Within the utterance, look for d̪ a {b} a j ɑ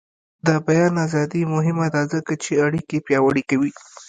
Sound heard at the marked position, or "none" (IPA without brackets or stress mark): b